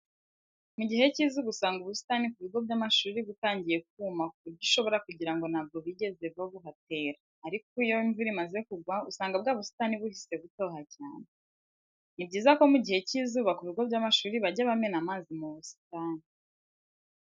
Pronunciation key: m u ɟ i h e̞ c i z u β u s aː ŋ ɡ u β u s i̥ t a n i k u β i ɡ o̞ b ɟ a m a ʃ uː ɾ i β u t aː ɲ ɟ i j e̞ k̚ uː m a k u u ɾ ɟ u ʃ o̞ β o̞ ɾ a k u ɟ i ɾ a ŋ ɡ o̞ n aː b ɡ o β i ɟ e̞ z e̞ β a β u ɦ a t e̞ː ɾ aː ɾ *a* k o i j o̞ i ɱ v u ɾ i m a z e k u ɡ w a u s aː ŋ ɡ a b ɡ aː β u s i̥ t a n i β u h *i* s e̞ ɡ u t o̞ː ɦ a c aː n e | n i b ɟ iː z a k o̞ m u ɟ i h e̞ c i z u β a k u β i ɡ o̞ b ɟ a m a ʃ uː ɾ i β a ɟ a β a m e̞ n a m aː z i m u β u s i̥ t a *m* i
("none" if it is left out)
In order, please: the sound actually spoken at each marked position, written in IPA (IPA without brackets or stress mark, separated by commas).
i, i, n